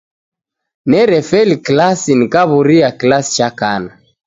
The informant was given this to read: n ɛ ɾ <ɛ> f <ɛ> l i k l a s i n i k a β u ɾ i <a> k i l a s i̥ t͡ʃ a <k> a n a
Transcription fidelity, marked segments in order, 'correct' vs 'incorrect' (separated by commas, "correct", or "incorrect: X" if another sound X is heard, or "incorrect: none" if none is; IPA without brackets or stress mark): correct, correct, correct, correct